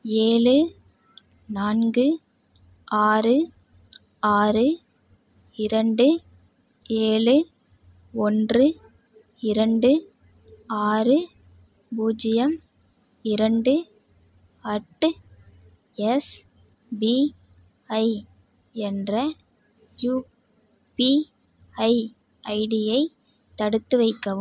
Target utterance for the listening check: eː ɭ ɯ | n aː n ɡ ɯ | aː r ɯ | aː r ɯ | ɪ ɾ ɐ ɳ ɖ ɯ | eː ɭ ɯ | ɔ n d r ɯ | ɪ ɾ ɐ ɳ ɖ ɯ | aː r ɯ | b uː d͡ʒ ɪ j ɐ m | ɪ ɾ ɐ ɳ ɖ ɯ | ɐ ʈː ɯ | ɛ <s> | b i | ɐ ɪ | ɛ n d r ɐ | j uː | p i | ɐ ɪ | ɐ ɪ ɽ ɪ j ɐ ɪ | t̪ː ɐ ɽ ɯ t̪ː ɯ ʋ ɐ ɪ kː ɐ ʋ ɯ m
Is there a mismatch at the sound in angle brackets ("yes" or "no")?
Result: no